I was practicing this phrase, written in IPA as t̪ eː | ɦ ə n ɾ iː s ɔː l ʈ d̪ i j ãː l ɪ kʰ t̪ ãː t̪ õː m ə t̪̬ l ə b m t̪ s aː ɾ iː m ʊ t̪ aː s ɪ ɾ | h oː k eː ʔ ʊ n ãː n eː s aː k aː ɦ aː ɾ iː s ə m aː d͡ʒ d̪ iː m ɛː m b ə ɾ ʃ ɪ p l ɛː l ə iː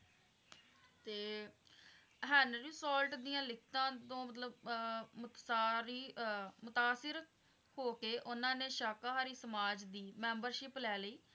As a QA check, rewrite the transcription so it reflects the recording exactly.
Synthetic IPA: t̪ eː | ɦ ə n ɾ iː s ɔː l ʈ d̪ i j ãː l ɪ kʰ t̪ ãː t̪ õː m ə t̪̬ l ə b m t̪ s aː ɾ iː m ʊ t̪ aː s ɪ ɾ | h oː k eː ʔ ʊ n ãː n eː ʃ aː k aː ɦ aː ɾ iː s ə m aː d͡ʒ d̪ iː m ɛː m b ə ɾ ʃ ɪ p l ɛː l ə iː

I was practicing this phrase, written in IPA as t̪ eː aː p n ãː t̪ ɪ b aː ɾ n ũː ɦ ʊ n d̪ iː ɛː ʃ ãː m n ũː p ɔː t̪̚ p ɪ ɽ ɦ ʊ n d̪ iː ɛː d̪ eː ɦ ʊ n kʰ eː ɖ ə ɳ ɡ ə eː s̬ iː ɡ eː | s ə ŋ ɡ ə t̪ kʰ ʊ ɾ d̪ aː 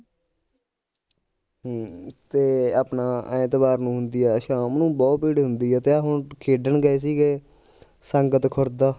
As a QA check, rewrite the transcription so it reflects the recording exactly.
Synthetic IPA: t̪ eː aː p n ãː t̪ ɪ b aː ɾ n ũː ɦ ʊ n d̪ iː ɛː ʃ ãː m n ũː b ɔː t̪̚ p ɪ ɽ ɦ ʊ n d̪ iː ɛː t̪ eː ɦ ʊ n kʰ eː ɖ ə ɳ ɡ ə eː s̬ iː ɡ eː | s ə ŋ ɡ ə t̪ kʰ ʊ ɾ d̪ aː

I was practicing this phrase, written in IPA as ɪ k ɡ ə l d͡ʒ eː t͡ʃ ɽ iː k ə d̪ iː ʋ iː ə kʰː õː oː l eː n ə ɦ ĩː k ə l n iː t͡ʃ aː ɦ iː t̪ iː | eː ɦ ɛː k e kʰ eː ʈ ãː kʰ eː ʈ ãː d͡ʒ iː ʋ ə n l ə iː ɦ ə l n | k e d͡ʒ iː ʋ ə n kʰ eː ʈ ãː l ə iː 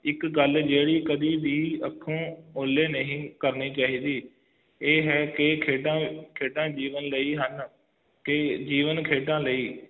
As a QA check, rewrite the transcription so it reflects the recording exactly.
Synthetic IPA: ɪ k ɡ ə l d͡ʒ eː ɽ iː k ə d̪ iː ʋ iː ə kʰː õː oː l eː n ə ɦ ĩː k ə ɾ n iː t͡ʃ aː ɦ iː d̪ iː | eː ɦ ɛː k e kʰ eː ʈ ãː kʰ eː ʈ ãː d͡ʒ iː ʋ ə n l ə iː ɦ ə n | k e d͡ʒ iː ʋ ə n kʰ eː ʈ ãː l ə iː

